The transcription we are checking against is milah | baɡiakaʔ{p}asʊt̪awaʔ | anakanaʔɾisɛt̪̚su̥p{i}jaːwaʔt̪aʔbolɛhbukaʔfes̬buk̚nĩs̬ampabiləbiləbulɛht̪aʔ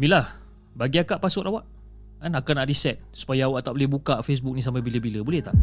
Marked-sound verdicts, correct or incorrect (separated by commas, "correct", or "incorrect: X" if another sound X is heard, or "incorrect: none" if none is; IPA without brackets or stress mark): correct, incorrect: a